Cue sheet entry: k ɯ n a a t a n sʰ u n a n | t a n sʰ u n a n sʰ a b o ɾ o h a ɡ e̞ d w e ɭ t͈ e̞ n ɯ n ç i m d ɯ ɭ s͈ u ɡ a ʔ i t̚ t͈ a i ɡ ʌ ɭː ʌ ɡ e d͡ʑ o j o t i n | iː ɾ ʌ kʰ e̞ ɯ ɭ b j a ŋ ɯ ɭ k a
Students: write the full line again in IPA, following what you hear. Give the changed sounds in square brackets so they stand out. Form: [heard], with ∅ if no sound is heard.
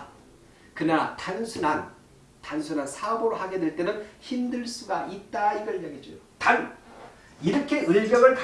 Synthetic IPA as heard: k ɯ n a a t a n sʰ u n a n | t a n sʰ u n a n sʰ a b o ɾ o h a ɡ e̞ d w e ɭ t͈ e̞ n ɯ n ç i m d ɯ ɭ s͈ u ɡ a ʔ i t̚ t͈ a i ɡ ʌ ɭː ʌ ɡ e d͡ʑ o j o t [a] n | [i] ɾ ʌ kʰ e̞ ɯ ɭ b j [ʌ] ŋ ɯ ɭ k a